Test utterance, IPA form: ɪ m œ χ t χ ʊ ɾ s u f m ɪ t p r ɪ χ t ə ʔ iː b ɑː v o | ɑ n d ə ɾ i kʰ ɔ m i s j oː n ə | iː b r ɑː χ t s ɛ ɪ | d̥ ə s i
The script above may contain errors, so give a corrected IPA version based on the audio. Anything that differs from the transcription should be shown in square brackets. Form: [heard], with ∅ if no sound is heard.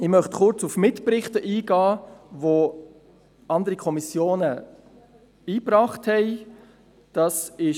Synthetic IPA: ɪ m œ χ t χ ʊ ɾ [t͡s] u f m ɪ t p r ɪ χ t ə ʔ iː [ɡ] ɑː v o | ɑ n d ə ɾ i kʰ ɔ m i s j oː n ə | iː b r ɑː χ t [h] ɛ ɪ | d̥ [ɑ] s [ɪ]